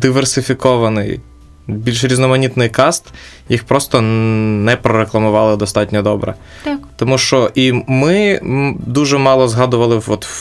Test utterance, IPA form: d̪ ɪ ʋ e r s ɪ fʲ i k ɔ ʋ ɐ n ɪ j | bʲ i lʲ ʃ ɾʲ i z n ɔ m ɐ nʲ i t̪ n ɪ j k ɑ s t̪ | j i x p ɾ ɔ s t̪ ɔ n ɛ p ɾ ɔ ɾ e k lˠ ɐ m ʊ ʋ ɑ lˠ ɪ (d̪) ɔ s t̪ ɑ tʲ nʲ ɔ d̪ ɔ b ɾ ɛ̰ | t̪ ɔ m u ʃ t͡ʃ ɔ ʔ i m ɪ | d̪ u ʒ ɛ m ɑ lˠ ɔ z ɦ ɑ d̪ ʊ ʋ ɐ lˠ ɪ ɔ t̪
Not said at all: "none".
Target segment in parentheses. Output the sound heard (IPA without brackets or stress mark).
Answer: d̪